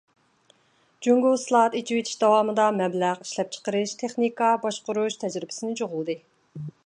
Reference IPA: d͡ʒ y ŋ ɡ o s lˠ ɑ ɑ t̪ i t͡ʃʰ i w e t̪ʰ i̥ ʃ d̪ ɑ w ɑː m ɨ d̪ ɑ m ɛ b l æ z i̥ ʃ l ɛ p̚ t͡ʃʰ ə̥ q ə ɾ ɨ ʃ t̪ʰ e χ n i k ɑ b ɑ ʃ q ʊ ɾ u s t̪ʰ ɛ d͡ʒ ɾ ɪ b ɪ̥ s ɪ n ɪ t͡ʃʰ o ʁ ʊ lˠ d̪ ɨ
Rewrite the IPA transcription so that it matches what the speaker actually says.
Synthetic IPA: d͡ʒ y ŋ ɡ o s lˠ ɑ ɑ t̪ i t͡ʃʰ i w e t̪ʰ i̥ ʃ d̪ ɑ w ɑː m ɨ d̪ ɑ m ɛ b l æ ʁ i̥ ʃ l ɛ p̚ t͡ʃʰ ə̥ q ə ɾ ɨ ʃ t̪ʰ e χ n i k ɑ b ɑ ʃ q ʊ ɾ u ʃ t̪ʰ ɛ d͡ʒ ɾ ɪ b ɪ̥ s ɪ n ɪ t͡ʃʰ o ʁ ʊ lˠ d̪ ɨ